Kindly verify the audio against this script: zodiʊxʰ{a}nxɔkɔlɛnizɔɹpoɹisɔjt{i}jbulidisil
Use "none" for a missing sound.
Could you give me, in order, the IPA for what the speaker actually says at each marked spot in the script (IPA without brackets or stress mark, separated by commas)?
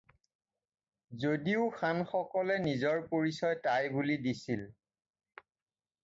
a, a